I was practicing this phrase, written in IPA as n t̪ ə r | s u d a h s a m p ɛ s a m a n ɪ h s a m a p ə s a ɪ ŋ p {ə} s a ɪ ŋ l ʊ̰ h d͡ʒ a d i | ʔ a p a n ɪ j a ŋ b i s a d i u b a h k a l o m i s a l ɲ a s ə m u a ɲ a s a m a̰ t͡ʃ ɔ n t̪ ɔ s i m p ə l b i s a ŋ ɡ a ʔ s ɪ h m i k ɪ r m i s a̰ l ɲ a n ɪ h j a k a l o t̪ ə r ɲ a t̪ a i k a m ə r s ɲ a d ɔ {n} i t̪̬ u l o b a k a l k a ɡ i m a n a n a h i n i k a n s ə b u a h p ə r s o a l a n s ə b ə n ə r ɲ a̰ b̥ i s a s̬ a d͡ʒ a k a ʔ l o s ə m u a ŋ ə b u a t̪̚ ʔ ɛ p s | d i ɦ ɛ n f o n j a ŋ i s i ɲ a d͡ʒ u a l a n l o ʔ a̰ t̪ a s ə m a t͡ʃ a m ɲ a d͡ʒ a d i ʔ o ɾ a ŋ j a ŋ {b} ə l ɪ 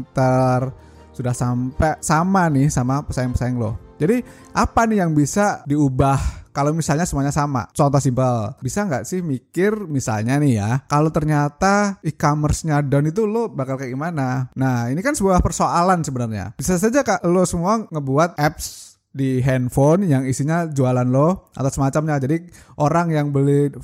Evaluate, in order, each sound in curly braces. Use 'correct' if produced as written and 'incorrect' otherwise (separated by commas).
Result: correct, correct, correct